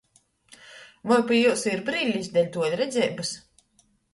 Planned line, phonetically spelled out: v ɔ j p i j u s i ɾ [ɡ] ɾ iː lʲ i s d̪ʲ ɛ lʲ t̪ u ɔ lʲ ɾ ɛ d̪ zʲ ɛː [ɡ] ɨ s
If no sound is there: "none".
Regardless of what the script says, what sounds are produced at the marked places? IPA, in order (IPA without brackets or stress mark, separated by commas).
b, b